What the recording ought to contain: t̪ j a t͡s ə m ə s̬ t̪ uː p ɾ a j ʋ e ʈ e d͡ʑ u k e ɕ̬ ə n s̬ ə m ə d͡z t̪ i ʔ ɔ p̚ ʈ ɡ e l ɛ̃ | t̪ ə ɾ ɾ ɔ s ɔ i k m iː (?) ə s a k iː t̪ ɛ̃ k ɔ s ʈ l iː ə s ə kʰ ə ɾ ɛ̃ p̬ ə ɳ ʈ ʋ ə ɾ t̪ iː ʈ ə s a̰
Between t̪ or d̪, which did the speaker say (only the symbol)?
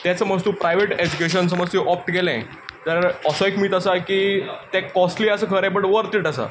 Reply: t̪